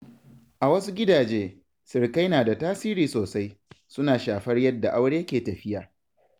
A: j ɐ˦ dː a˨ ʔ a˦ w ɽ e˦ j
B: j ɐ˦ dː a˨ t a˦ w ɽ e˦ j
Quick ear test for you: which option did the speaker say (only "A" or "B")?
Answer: A